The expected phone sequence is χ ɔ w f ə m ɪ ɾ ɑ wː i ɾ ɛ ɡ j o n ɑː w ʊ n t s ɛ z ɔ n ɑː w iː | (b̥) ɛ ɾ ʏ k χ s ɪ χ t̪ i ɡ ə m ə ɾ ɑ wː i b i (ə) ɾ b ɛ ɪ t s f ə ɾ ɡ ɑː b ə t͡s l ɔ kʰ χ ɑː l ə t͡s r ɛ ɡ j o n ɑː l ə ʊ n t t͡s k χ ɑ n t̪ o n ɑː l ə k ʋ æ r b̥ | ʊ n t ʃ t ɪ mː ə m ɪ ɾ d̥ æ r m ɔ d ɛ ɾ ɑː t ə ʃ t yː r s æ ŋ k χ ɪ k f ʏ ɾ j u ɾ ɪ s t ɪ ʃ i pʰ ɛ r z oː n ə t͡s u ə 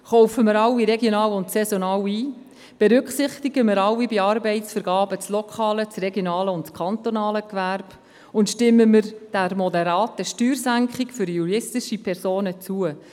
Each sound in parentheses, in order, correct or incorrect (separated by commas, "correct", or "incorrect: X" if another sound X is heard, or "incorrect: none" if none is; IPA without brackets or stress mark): correct, incorrect: ɑ